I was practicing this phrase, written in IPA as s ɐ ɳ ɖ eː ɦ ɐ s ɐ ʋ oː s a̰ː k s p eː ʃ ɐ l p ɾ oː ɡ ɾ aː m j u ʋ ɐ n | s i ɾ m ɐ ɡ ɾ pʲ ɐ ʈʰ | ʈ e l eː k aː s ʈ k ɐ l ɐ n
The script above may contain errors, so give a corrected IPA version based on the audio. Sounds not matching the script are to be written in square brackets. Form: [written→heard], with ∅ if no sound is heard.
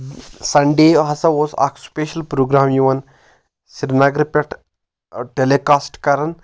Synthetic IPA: s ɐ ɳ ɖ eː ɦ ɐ s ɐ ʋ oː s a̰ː k s p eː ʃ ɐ l p ɾ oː ɡ ɾ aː m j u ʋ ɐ n | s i ɾ [m→n] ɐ ɡ ɾ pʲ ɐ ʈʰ | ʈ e l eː k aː s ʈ k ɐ [l→ɾ] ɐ n

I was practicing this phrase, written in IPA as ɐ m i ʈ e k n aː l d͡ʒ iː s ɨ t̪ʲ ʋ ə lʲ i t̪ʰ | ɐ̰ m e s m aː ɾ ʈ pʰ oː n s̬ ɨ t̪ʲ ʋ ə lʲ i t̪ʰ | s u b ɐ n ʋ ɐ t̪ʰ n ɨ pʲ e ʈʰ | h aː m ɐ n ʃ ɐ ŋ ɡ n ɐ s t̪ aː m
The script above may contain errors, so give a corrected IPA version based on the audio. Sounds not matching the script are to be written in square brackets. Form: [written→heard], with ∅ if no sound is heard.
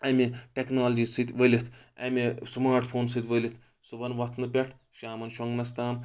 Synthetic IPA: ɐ m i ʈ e k n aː l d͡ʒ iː s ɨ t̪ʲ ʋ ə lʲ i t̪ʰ | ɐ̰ m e s m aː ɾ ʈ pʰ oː n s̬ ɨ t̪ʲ ʋ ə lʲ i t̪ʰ | s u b ɐ n ʋ ɐ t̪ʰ n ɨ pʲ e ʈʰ | [h→ʃ] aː m ɐ n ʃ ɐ ŋ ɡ n ɐ s t̪ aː m

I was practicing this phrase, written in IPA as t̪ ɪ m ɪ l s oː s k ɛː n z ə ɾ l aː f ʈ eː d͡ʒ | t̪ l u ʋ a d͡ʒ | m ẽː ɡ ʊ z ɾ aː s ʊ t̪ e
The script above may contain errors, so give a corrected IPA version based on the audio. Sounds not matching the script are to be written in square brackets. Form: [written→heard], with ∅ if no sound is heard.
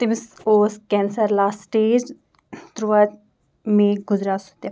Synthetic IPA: t̪ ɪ m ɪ [l→∅] s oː s k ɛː n [z→s] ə ɾ l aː [f→s] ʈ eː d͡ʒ | t̪ [l→ɾ] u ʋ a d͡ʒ | m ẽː ɡ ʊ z ɾ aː s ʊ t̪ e

